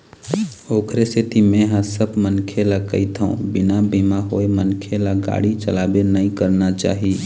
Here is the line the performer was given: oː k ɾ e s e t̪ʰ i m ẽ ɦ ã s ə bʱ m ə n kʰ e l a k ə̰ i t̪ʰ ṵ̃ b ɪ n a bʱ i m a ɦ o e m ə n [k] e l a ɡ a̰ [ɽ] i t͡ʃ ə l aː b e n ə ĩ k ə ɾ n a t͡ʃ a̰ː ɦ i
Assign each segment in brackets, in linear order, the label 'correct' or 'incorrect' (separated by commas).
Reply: incorrect, correct